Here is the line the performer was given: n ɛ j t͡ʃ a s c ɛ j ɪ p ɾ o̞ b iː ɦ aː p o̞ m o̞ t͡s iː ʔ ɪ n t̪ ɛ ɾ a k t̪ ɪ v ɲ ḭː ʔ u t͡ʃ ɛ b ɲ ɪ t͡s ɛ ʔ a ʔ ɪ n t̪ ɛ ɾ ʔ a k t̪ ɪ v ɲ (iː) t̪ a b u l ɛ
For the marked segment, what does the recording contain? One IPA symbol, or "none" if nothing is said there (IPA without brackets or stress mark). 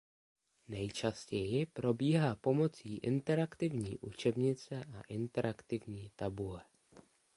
iː